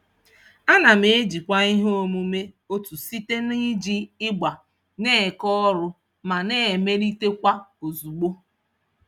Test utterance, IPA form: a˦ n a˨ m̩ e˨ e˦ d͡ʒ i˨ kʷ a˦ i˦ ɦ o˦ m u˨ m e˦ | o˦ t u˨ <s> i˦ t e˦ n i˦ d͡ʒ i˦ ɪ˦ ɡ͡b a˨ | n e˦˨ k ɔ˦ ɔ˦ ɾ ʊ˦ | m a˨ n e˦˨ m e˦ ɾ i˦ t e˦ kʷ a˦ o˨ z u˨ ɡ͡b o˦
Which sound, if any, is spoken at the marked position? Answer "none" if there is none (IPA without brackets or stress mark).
s